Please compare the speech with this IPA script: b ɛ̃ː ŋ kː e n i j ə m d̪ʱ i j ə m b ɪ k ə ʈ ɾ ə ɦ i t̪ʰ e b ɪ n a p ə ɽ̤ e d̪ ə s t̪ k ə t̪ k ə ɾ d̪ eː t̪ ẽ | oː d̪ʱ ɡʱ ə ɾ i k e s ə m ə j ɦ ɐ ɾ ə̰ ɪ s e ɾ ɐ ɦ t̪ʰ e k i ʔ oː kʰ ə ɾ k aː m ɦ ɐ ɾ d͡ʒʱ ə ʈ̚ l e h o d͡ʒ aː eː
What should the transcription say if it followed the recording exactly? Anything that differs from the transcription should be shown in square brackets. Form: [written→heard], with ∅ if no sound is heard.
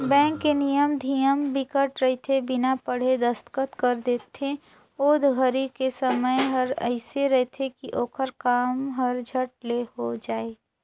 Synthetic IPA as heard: b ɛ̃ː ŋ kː e n i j ə m d̪ʱ i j ə m b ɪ k ə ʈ ɾ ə ɦ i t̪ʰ e b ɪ n a p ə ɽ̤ e d̪ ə s t̪ k ə t̪ k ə ɾ d̪ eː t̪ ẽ | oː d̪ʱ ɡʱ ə ɾ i k e s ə m ə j ɦ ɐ ɾ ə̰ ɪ s e ɾ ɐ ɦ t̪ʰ e k i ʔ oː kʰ ə ɾ k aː m ɦ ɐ ɾ d͡ʒʱ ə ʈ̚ l e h o d͡ʒ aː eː